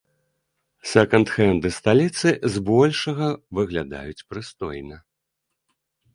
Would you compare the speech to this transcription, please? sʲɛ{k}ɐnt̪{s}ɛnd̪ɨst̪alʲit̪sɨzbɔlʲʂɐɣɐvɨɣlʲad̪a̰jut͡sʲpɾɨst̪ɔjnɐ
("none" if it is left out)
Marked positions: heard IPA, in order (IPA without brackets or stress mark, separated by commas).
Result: k, x